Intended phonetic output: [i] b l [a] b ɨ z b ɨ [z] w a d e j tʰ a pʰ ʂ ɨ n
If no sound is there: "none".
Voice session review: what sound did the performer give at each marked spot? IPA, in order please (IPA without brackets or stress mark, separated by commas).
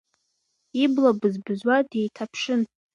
i, a, z